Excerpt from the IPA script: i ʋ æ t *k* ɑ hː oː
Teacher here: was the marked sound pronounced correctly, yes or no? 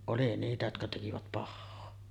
no